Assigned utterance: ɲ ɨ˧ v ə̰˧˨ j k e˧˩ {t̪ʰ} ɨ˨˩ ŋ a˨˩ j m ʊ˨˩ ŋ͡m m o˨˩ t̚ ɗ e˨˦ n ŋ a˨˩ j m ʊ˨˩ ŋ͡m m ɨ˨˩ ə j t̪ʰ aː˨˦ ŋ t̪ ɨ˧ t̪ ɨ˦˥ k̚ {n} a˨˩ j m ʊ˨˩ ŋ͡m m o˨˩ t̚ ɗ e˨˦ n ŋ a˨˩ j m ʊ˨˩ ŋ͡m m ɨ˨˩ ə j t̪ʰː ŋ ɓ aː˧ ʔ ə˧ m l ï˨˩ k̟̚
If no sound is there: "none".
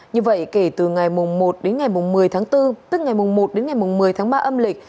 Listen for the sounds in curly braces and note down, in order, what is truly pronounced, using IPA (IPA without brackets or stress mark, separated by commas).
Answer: t̪, ŋ